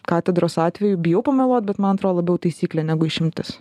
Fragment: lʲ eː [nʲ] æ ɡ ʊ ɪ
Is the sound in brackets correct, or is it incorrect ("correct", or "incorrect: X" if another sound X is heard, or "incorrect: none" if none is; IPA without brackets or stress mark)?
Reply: correct